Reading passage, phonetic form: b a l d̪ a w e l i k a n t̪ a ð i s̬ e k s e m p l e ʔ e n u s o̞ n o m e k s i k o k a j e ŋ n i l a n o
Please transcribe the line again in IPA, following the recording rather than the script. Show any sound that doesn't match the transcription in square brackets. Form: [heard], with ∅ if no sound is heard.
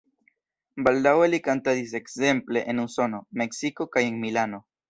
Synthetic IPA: b a l d̪ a w e l i k a n t̪ a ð i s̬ e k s e m p l e ʔ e n u s o̞ n o m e k s i k o k a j e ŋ [m] i l a n o